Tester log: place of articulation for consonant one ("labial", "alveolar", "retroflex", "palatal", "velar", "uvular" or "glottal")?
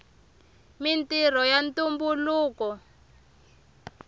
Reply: labial